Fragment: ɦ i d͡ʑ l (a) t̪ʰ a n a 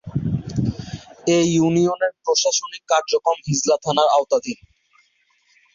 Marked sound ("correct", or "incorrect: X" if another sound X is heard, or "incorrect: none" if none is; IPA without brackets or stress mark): correct